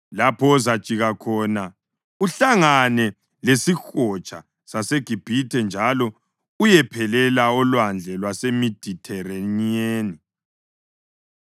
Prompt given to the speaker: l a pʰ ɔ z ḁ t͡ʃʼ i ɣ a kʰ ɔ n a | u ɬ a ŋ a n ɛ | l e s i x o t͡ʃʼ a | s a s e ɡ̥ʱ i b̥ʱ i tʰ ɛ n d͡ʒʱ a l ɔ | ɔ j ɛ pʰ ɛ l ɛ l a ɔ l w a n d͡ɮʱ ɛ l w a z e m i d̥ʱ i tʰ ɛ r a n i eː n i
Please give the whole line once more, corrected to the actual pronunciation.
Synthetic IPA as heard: l a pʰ ɔ z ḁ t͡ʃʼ i ɣ a kʰ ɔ n a | u ɬ a ŋ a n ɛ | l e s i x ɔ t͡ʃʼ a | s a s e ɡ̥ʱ i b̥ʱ i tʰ ɛ n d͡ʒʱ a l ɔ | u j ɛ pʰ ɛ l ɛ l a ɔ l w a n d͡ɮʱ ɛ l w a s e m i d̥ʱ i tʰ ɛ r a n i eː n i